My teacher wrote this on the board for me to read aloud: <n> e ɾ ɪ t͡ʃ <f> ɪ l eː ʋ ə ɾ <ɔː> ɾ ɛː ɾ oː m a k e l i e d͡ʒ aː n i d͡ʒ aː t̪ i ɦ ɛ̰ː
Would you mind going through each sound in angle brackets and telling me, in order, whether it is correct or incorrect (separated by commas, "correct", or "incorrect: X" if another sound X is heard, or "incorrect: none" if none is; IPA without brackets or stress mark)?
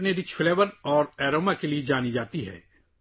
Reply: correct, correct, correct